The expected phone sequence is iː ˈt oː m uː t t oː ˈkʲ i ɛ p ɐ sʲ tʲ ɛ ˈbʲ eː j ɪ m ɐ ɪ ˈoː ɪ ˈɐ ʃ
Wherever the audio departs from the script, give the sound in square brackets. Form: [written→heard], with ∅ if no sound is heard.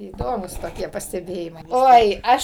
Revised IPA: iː [ˈt→ˈd] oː m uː [t→s] t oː ˈkʲ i ɛ p ɐ sʲ tʲ ɛ ˈbʲ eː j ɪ m ɐ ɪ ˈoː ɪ ˈɐ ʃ